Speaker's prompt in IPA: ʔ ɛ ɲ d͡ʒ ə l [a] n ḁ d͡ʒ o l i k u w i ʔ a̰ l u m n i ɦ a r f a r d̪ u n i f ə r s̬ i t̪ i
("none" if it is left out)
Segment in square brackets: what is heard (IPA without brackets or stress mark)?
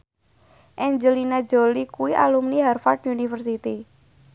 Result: i